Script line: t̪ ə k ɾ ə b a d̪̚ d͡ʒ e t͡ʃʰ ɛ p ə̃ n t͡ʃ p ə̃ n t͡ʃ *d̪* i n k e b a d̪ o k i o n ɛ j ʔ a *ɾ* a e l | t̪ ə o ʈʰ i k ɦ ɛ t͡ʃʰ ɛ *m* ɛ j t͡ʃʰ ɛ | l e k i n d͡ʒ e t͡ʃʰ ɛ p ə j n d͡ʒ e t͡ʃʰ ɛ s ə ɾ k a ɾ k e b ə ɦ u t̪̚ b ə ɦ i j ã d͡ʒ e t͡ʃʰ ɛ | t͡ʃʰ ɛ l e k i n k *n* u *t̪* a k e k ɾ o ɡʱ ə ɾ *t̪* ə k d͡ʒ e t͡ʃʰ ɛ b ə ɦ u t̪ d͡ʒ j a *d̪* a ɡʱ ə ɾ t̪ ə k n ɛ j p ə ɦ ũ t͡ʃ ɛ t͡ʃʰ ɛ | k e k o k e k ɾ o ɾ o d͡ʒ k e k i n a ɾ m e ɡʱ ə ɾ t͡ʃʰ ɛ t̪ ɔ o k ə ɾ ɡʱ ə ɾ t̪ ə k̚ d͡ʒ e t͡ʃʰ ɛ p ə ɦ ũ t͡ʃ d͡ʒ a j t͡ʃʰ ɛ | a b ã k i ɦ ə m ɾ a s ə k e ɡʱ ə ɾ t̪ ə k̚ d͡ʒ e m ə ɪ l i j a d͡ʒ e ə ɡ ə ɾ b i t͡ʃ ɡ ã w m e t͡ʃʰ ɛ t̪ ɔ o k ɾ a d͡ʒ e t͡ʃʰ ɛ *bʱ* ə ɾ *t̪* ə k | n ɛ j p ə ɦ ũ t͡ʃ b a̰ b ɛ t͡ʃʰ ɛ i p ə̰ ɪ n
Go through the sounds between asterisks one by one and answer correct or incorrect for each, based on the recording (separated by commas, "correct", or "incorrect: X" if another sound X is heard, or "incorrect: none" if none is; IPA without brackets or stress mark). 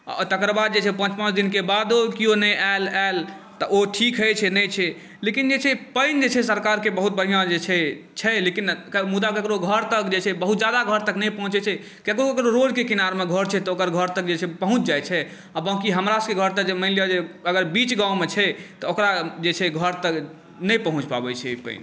correct, incorrect: l, incorrect: n, incorrect: m, incorrect: d̪, correct, correct, incorrect: ɡʱ, correct